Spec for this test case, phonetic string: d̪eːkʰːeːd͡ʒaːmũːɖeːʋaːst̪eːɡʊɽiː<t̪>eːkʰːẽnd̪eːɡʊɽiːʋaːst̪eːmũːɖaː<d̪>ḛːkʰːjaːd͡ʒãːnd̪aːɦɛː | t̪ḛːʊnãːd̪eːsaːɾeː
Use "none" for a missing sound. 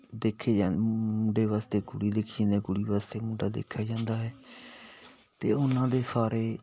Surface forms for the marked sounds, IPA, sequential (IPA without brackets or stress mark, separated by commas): d̪, d̪